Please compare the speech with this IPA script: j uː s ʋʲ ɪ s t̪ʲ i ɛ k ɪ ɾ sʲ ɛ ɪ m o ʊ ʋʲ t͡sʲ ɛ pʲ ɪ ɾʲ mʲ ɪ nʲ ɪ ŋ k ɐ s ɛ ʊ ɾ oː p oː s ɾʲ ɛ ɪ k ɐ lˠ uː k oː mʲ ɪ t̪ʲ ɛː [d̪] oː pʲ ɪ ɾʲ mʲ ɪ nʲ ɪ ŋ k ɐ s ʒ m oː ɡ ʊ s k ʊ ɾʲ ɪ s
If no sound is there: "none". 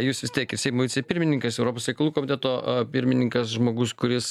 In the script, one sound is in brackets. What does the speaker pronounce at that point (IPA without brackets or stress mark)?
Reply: t̪